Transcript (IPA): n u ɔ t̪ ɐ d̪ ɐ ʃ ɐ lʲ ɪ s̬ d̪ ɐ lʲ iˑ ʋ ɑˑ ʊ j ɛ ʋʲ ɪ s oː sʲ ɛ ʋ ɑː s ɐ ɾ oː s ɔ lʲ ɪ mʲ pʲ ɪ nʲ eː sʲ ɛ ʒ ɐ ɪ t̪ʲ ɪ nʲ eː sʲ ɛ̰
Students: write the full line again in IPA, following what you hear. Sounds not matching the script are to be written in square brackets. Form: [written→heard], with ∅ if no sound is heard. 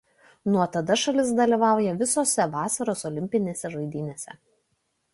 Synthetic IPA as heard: n u ɔ t̪ ɐ d̪ ɐ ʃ ɐ lʲ ɪ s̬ d̪ ɐ lʲ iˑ ʋ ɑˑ ʊ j ɛ ʋʲ ɪ s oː sʲ ɛ ʋ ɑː s ɐ ɾ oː s ɔ lʲ ɪ mʲ pʲ ɪ nʲ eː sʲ ɛ ʒ ɐ ɪ [t̪ʲ→d̪ʲ] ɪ nʲ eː sʲ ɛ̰